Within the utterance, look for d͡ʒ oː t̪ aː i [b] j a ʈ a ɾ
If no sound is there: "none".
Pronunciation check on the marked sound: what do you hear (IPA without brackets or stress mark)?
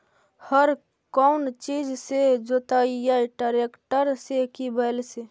none